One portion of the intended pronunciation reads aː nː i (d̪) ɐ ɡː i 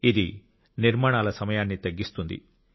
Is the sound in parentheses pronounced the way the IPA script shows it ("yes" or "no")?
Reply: no